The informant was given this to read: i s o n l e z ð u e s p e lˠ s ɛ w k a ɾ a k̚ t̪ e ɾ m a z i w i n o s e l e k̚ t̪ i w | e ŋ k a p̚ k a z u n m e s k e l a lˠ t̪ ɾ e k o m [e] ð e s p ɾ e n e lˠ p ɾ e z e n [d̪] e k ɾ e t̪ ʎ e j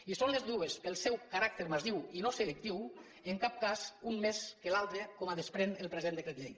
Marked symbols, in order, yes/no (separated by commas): no, yes